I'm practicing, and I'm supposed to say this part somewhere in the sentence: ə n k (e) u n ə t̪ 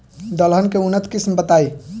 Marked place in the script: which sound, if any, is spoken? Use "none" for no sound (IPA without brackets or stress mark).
e